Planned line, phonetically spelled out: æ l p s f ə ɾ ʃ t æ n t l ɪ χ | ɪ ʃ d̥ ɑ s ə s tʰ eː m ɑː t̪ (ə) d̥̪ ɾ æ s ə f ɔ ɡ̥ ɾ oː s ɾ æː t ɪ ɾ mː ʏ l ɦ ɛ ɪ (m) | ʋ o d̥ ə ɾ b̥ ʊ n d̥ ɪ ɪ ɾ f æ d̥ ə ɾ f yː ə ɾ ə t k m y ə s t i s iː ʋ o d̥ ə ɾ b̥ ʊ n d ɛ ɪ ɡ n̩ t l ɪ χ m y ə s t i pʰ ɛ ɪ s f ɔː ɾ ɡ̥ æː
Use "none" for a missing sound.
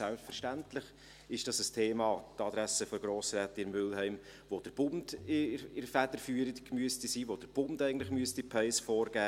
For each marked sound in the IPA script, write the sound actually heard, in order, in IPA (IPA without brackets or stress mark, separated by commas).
ɑ, m